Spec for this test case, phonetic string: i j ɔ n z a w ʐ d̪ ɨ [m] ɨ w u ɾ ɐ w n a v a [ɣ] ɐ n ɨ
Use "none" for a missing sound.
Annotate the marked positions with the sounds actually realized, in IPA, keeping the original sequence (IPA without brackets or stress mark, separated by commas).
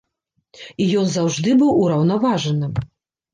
b, ʐ